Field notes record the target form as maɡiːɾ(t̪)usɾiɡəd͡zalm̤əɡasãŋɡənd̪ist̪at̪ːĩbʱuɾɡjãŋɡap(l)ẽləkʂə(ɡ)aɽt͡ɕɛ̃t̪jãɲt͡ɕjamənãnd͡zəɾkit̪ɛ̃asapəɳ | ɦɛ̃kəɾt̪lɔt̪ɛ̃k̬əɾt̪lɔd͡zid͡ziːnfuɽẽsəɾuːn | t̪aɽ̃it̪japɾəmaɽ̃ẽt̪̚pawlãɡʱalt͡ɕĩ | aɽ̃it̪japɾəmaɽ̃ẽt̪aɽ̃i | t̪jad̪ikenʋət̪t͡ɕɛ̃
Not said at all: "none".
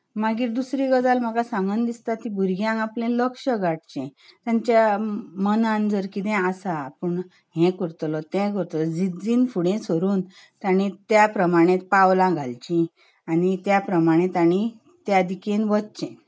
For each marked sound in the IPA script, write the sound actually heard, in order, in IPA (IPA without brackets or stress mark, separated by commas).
d̪, l, ɡ